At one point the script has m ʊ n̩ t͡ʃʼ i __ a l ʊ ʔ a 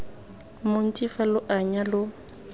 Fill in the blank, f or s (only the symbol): f